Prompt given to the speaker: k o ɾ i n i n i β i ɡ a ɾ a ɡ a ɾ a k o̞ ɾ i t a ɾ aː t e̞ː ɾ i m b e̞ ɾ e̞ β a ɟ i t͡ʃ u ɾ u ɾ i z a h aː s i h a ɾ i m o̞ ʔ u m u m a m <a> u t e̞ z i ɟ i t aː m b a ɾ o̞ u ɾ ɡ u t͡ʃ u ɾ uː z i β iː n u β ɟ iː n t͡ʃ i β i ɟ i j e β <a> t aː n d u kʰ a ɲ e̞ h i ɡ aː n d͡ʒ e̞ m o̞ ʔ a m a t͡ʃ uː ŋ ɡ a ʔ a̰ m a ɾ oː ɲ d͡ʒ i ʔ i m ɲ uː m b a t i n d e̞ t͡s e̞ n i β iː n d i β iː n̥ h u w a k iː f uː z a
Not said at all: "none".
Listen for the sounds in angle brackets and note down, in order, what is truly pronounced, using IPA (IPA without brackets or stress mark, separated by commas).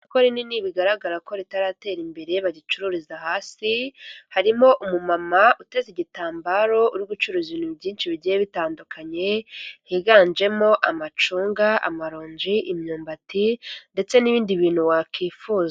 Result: a, i